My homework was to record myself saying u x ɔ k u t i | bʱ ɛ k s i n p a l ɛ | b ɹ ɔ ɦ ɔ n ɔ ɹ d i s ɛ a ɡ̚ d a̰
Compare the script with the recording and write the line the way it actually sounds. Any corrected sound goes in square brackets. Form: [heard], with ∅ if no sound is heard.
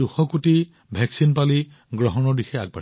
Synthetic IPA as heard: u x ɔ k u t i | bʱ ɛ k s i n p a l [i] | [ɡ] ɹ ɔ ɦ ɔ n ɔ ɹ d i [x] ɛ a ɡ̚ [b] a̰